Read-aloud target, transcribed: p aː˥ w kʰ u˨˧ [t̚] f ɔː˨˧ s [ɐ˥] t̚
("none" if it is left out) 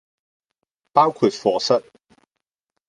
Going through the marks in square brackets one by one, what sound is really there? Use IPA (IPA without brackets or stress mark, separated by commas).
t̚, ɐ˥